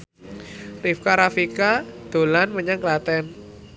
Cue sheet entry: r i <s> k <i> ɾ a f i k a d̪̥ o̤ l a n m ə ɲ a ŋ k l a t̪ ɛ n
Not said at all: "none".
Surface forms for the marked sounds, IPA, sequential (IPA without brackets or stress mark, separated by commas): f, a